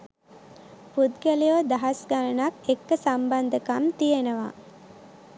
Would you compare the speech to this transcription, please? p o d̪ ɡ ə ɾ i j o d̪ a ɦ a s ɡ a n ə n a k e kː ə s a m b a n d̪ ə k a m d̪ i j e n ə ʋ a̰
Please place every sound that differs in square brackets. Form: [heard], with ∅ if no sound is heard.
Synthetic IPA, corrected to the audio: p [u] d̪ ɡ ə [l] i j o d̪ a ɦ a s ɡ a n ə n a k e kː ə s a m b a n d̪ ə k a m [t̪] i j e n ə ʋ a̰